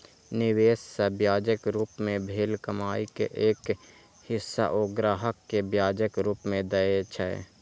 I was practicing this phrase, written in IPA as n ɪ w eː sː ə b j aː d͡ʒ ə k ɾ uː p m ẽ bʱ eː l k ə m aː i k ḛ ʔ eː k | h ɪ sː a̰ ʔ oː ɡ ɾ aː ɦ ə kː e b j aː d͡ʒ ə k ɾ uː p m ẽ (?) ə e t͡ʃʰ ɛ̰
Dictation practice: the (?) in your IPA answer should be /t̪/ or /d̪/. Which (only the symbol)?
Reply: d̪